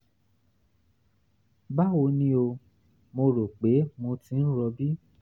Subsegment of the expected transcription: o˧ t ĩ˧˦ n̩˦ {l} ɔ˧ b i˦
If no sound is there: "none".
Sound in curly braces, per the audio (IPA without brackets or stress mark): ɾ